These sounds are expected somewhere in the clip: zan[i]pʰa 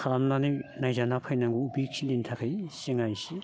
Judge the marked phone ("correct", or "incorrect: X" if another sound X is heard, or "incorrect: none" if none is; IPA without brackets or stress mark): incorrect: a